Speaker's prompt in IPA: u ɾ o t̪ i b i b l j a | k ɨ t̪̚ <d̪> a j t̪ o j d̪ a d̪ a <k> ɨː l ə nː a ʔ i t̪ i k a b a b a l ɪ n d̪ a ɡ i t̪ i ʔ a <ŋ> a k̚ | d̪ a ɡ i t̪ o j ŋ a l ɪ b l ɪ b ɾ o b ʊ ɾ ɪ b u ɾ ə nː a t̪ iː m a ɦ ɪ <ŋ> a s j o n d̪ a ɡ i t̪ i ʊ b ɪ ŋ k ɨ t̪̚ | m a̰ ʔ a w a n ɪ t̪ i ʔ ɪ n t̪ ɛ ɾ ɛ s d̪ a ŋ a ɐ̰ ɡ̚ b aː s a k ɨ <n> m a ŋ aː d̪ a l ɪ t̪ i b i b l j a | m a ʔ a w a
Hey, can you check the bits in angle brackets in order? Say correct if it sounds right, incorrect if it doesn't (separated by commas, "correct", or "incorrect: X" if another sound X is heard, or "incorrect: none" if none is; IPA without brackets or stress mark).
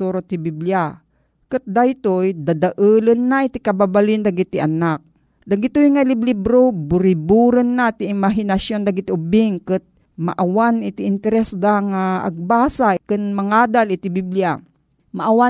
correct, incorrect: ʔ, incorrect: n, incorrect: n, correct